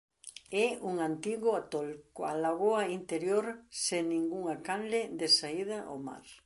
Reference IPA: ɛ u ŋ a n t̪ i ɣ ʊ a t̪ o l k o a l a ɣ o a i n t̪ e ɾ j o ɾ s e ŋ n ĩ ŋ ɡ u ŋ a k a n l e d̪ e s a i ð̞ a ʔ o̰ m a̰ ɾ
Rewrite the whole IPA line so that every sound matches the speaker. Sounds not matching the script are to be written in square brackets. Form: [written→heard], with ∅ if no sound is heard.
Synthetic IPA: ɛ u ŋ a n t̪ i ɣ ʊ a t̪ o l k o a l a ɣ o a i n t̪ e ɾ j o ɾ s e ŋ n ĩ ŋ ɡ u ŋ a k a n l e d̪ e s a i ð̞ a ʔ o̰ m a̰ ɾ